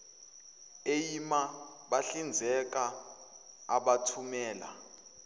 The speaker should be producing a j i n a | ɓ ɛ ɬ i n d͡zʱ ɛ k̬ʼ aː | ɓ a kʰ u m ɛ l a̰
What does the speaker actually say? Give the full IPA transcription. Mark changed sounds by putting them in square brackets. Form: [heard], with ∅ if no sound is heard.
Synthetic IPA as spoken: [e] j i [m] a | ɓ [a] ɬ i n d͡zʱ ɛ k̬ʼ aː | ɓ a [tʰ] u m [ɛː] l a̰